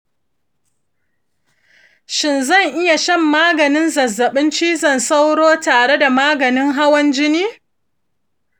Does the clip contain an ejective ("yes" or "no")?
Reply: no